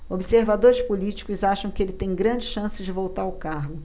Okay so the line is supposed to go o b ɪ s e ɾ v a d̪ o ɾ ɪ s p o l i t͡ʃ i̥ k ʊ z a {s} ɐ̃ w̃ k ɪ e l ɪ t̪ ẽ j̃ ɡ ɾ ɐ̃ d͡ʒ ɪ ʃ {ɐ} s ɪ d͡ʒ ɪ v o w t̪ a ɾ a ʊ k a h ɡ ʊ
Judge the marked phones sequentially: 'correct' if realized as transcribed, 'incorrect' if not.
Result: incorrect: ʃ, incorrect: ɐ̃

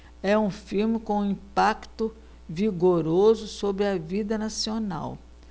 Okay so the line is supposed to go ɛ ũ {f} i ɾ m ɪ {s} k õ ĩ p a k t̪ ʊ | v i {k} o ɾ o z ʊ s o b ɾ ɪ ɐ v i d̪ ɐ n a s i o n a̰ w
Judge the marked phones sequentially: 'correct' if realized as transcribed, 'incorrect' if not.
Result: correct, incorrect: none, incorrect: ɡ

